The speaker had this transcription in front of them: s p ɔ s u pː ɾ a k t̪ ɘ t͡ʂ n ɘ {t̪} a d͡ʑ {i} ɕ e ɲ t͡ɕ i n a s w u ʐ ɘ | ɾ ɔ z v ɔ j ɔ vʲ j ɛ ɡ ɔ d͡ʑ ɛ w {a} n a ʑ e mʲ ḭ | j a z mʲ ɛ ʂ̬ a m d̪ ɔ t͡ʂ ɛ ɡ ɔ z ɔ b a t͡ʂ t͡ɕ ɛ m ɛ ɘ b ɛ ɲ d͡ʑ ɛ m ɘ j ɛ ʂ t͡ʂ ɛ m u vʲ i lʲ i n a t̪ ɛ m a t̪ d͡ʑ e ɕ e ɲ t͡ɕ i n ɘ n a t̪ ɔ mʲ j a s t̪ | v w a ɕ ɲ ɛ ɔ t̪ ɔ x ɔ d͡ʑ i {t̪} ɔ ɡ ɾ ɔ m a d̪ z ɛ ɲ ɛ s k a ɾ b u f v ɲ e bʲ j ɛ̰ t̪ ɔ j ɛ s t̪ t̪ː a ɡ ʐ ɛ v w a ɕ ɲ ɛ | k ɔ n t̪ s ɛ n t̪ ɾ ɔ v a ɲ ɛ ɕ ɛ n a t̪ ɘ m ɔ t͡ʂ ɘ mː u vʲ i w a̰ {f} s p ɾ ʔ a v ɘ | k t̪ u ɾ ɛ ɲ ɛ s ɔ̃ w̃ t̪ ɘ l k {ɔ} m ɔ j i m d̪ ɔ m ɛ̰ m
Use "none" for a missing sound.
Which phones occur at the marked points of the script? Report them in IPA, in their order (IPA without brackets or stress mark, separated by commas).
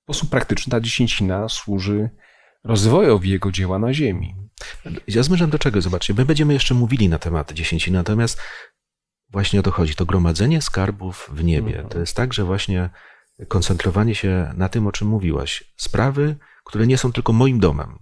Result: t̪, e, a, t̪, ɕ, ɔ